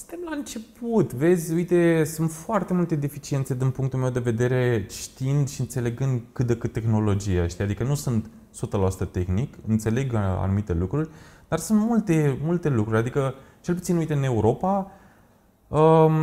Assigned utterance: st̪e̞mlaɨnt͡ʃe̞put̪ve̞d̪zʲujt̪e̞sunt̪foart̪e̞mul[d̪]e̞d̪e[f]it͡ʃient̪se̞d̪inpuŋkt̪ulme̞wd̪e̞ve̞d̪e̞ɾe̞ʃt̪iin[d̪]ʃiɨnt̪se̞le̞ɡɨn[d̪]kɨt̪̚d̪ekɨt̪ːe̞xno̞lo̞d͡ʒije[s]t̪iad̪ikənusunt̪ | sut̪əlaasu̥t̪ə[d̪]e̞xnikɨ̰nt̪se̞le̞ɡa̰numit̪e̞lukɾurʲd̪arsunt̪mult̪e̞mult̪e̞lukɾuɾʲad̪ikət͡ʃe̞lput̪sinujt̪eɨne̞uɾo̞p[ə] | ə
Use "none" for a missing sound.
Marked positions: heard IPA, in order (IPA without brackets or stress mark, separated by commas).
t̪, f, d̪, d̪, ʃ, t̪, a